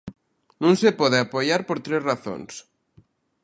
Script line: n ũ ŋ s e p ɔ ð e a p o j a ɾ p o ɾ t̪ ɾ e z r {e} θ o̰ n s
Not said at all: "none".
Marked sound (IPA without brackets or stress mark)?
a